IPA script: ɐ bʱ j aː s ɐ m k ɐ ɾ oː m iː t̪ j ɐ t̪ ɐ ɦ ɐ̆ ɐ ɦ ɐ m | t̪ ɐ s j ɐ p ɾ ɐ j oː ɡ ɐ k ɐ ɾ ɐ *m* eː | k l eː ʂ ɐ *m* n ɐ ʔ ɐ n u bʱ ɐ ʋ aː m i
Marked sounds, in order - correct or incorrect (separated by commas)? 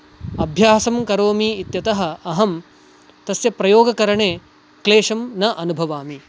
incorrect, correct